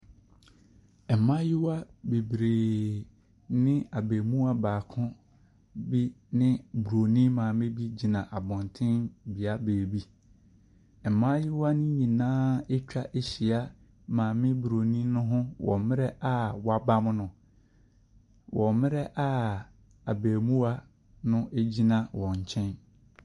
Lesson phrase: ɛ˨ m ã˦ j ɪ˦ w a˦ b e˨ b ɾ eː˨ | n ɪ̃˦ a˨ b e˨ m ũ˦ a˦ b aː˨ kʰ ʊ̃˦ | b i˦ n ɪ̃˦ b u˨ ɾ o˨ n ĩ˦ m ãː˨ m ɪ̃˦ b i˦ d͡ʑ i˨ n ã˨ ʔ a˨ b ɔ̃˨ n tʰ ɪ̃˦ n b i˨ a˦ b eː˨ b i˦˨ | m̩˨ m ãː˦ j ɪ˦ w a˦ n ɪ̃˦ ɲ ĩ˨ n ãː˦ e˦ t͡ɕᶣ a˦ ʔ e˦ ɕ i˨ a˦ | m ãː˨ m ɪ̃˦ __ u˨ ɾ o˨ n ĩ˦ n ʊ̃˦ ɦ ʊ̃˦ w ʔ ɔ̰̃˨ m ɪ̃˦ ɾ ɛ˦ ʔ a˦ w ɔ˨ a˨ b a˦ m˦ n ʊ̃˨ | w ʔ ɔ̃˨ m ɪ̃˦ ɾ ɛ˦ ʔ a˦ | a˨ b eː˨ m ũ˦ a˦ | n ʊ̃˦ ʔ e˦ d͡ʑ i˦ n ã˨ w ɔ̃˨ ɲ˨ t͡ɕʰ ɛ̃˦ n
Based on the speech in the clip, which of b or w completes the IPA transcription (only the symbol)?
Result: b